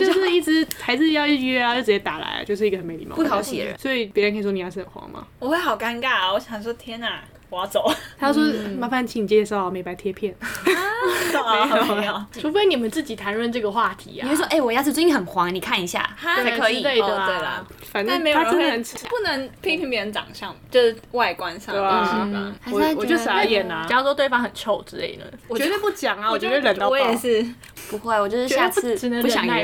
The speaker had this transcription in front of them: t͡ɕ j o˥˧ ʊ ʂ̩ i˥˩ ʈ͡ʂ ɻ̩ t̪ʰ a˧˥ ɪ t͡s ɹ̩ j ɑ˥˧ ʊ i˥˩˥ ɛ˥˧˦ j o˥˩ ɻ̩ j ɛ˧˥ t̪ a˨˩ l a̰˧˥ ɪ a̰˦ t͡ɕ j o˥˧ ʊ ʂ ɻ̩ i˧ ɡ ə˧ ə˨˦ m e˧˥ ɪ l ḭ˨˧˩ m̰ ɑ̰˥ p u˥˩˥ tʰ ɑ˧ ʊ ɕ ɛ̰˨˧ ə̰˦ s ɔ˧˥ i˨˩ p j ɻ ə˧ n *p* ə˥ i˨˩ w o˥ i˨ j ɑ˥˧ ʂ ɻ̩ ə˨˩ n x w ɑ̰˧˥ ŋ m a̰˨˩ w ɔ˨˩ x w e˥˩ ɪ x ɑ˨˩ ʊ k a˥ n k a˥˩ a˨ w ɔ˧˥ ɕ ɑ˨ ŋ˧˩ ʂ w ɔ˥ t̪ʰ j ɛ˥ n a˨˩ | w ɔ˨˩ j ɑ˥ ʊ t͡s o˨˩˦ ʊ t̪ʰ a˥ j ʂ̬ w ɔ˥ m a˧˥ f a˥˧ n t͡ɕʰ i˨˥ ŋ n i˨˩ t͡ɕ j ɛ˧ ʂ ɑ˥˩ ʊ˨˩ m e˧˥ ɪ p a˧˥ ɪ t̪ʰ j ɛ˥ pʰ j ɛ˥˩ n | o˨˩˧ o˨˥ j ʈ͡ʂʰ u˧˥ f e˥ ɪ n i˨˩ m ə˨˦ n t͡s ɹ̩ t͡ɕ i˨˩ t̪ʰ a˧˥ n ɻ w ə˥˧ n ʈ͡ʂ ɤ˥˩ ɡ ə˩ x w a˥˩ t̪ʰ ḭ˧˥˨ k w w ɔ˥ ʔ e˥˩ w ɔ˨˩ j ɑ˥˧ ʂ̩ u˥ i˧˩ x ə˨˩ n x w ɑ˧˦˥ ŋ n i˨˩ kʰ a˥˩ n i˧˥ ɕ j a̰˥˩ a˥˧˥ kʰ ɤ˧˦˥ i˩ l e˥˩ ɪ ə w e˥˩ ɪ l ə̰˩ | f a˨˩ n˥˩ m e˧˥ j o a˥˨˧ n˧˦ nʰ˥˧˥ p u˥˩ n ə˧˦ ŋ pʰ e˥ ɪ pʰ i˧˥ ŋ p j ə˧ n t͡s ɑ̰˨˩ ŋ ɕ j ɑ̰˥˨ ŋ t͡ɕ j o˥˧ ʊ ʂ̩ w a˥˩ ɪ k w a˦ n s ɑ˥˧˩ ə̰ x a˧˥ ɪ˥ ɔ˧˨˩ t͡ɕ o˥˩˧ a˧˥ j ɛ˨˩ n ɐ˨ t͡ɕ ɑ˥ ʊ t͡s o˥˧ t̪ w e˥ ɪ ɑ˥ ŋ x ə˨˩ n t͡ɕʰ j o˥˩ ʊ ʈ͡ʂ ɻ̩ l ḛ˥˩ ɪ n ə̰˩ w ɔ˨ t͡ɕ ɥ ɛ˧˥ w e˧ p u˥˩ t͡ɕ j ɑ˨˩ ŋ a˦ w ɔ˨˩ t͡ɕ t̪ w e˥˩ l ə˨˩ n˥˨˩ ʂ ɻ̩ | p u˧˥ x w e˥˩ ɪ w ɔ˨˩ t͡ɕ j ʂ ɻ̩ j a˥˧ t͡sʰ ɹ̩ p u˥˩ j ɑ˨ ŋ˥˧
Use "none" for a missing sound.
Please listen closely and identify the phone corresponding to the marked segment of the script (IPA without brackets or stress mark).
k